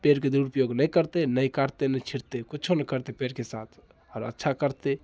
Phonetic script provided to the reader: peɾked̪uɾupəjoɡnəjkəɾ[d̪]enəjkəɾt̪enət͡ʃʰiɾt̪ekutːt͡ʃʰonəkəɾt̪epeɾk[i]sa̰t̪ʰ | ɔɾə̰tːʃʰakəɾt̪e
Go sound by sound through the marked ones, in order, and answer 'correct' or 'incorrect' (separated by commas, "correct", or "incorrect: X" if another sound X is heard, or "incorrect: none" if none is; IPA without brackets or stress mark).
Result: incorrect: t̪, incorrect: e